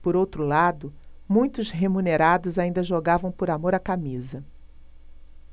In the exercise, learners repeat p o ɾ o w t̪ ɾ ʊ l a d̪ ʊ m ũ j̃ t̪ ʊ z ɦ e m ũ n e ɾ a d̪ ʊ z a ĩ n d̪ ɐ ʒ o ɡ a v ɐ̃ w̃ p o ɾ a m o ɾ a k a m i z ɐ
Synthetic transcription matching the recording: p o ɾ o w t̪ ɾ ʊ l a d̪ ʊ m ũ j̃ t̪ ʊ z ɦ e m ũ n e ɾ a d̪ ʊ z a ĩ n d̪ ɐ ʒ o ɡ a v ɐ̃ w̃ p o ɾ a m o ɾ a k a m i z ɐ